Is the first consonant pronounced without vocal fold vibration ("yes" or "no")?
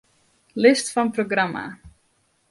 no